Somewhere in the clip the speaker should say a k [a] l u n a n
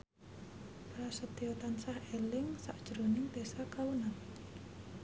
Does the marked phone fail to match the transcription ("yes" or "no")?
no